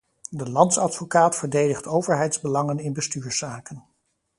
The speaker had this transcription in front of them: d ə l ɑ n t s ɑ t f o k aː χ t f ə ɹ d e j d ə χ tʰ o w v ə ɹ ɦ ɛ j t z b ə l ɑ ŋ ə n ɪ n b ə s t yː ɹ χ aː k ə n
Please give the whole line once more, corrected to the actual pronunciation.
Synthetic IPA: d ə l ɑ n t s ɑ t f o k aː t f ə ɹ d e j d ə χ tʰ o w v ə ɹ ɦ ɛ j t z b ə l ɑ ŋ ə n ɪ n b ə s t yː ɹ s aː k ə n